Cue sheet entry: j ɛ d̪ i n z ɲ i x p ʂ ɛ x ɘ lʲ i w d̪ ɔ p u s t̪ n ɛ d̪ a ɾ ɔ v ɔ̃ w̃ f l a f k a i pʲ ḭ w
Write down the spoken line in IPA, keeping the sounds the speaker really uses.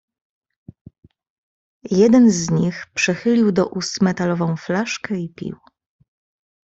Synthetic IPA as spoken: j ɛ d̪ ɛ n z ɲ i x p ʂ ɛ x ɘ lʲ i w d̪ ɔ ʔ u s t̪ m ɛ t̪ a l ɔ v ɔ̃ w̃ f l a ʂ k ɛ i pʲ ḭ w